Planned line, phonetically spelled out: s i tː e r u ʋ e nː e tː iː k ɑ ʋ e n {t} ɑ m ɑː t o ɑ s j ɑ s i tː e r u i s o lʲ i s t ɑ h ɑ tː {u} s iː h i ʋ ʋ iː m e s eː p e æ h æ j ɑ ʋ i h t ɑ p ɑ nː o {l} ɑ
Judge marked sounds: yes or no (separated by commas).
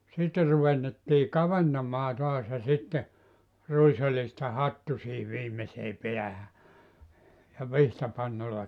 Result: yes, yes, no